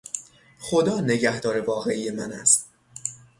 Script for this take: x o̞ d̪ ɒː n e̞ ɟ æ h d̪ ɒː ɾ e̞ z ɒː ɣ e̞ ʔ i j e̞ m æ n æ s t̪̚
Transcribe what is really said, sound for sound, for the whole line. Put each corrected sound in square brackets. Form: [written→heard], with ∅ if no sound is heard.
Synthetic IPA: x o̞ d̪ ɒː n e̞ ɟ æ h d̪ ɒː ɾ e̞ [z→v] ɒː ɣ e̞ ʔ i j e̞ m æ n æ s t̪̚